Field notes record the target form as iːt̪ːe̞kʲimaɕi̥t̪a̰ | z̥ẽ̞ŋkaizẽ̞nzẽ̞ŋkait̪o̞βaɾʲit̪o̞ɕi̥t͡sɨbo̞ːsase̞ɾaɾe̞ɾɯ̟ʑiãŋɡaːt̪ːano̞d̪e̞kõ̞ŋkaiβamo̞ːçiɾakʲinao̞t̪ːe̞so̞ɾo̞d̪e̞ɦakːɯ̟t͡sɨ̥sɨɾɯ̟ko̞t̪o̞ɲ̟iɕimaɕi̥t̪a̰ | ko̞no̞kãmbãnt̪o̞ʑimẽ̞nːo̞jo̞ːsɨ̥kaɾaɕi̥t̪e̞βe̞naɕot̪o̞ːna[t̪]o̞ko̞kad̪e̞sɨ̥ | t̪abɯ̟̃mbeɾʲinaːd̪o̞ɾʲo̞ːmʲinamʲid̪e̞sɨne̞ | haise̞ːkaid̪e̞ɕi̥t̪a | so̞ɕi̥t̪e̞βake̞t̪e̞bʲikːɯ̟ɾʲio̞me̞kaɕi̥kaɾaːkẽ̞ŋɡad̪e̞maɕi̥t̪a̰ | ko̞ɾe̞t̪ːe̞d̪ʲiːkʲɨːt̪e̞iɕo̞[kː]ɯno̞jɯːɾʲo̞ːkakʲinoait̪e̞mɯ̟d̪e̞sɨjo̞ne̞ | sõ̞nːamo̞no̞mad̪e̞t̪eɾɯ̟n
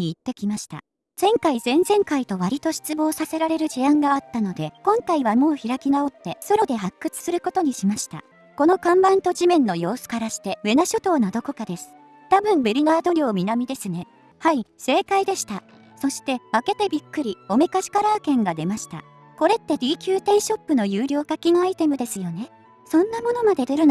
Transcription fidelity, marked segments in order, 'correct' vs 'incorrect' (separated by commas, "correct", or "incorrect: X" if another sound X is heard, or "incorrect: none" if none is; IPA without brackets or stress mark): incorrect: d̪, incorrect: pː